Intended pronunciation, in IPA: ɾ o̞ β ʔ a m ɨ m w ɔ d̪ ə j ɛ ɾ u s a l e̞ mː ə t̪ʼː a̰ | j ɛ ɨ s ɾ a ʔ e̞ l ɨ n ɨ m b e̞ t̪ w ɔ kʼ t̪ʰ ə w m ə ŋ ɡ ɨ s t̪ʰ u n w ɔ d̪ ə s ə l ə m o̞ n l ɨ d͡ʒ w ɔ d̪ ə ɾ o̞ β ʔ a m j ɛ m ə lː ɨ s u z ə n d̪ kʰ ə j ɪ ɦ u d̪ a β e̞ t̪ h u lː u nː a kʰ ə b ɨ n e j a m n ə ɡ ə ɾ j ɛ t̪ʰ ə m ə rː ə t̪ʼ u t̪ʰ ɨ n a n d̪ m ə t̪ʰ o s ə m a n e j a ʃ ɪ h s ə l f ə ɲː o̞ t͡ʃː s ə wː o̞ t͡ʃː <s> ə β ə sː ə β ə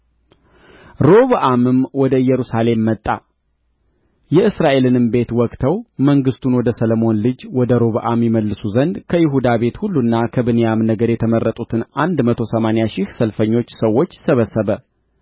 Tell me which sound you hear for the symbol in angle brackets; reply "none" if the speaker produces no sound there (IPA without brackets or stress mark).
s